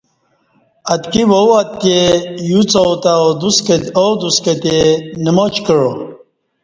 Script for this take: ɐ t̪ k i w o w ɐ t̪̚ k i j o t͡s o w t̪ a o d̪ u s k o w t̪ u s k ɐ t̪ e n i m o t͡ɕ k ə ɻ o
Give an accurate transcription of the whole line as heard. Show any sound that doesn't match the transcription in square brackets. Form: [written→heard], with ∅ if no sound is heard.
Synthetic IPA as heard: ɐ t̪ k i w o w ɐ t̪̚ k [i→e] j [o→u] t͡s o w t̪ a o d̪ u s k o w [t̪→d̪] u s k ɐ t̪ e n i m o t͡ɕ k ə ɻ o